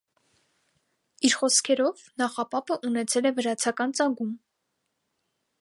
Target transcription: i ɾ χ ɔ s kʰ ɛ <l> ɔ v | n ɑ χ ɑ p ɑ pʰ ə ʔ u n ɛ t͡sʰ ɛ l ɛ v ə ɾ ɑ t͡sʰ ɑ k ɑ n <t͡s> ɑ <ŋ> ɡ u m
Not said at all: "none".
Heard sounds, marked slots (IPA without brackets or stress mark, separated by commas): ɾ, t͡s, ŋ